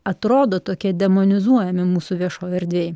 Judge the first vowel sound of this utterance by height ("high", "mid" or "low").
low